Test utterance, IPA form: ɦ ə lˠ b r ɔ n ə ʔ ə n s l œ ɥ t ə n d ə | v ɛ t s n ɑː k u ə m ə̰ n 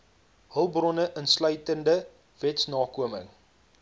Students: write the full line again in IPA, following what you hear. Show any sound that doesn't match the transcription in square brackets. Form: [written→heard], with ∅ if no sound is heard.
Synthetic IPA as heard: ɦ ə lˠ b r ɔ n ə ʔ ə n s l œ ɥ t ə n d ə | v ɛ t s n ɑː k u ə m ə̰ [n→ŋ]